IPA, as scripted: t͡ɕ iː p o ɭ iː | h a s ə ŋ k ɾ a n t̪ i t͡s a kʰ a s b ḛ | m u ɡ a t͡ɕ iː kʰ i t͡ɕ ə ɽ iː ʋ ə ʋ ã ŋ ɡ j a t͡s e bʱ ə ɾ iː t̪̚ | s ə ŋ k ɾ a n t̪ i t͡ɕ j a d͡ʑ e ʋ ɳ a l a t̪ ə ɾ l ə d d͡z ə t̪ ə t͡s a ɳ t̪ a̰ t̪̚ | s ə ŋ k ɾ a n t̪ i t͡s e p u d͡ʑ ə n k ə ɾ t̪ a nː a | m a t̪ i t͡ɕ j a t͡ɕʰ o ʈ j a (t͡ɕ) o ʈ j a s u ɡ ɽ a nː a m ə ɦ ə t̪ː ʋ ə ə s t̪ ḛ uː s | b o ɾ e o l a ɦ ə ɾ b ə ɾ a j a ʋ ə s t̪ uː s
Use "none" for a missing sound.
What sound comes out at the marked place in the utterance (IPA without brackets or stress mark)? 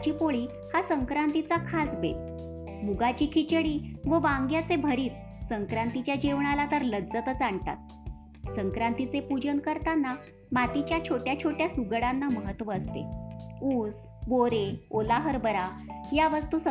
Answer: t͡ɕʰ